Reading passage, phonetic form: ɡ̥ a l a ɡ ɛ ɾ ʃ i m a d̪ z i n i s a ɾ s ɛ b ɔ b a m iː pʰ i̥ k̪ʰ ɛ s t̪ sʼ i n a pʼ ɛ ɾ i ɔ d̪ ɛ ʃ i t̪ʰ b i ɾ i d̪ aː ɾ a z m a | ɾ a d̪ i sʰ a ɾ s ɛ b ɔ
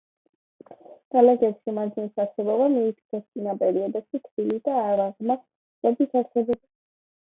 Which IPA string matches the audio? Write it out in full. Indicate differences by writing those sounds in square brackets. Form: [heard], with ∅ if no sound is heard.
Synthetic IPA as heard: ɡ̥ a l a ɡ ɛ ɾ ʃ i m a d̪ z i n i s a ɾ s ɛ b ɔ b a m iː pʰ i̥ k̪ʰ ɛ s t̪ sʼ i n a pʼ ɛ ɾ i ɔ d̪ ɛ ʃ i t̪ʰ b i [l] i d̪ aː ɾ a [ʁ] m a | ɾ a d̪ i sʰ a ɾ s ɛ b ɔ